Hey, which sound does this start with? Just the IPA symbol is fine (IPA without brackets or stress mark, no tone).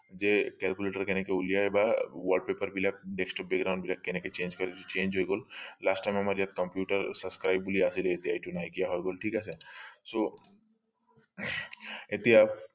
d͡ʒ